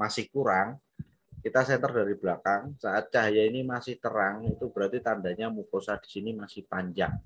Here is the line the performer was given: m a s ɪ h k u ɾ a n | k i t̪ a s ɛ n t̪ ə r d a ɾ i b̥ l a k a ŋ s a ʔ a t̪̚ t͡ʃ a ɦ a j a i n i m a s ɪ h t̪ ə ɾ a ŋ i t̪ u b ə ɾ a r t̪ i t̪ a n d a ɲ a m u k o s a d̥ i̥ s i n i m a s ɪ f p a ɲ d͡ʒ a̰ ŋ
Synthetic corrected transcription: m a s ɪ h k u ɾ a ŋ | k i t̪ a s ɛ n t̪ ə r d a ɾ i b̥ l a k a ŋ s a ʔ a t̪̚ t͡ʃ a ɦ a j a i n i m a s ɪ h t̪ ə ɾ a ŋ i t̪ u b ə ɾ a r t̪ i t̪ a n d a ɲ a m u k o s a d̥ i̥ s i n i m a s ɪ h p a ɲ d͡ʒ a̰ ŋ